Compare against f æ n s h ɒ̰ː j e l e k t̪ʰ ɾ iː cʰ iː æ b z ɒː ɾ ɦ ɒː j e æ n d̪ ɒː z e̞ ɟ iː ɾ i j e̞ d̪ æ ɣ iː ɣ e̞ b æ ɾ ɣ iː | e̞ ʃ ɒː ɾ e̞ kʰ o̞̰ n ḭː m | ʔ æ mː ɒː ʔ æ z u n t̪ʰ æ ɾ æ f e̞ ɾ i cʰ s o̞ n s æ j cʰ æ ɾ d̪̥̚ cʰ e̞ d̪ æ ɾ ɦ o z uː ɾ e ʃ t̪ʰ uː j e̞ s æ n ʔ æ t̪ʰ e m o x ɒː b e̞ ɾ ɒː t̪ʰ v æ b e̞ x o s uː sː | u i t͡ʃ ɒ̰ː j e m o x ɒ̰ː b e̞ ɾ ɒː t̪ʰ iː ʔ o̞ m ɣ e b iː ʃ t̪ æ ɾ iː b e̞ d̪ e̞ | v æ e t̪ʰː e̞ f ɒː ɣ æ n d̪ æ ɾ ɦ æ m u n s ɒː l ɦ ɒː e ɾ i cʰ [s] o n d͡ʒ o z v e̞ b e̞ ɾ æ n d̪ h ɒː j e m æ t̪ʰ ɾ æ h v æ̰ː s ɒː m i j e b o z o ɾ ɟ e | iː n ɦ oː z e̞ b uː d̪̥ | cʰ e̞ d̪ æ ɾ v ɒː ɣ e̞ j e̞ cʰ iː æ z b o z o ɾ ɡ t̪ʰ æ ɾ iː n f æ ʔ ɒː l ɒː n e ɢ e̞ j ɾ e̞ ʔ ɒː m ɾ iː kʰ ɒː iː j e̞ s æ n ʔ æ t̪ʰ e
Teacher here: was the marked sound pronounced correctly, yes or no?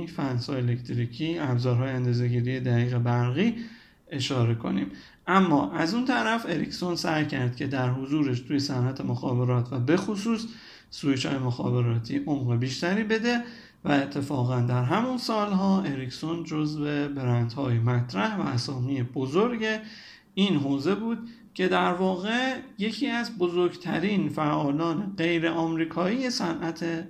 yes